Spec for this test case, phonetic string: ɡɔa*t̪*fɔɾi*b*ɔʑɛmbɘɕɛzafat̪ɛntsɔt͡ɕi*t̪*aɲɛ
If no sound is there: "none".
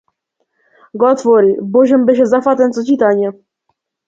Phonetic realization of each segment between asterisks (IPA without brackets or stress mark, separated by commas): t̪, b, t̪